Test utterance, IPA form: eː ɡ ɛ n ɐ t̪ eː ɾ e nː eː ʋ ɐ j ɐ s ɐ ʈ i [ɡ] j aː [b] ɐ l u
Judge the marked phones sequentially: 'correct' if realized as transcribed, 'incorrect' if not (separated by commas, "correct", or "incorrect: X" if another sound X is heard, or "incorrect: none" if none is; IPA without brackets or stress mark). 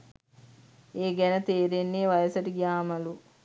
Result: correct, incorrect: m